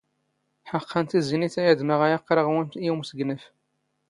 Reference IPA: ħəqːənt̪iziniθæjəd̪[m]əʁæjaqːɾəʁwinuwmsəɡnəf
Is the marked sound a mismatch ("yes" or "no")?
no